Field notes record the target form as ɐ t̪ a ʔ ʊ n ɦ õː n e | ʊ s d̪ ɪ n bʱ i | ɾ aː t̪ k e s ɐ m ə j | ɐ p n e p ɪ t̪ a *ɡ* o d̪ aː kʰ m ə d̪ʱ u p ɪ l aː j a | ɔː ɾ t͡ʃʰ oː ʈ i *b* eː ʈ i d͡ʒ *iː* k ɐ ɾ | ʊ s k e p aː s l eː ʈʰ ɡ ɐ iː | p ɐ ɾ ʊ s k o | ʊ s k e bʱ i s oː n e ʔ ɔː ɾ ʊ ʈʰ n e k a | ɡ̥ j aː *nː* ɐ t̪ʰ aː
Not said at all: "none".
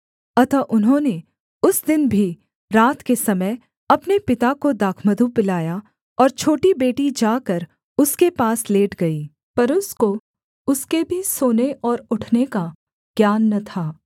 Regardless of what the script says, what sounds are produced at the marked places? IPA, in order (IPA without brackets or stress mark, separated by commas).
k, b, aː, nː